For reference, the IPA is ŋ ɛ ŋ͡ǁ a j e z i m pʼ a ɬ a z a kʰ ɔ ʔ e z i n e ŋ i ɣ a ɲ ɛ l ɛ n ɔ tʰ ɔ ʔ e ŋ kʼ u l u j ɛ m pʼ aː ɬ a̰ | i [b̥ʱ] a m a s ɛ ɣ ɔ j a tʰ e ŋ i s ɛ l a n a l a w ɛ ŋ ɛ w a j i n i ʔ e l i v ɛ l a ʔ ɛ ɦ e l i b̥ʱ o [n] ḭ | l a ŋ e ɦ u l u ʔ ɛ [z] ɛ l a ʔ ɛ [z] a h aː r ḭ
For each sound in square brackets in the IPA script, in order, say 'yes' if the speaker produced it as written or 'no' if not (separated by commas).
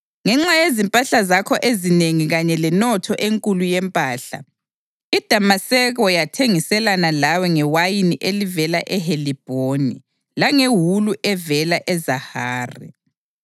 no, yes, no, yes